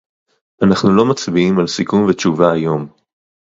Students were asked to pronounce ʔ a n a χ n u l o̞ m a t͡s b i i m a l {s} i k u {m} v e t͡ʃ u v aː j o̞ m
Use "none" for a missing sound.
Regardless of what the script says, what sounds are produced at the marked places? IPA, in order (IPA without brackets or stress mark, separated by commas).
s, m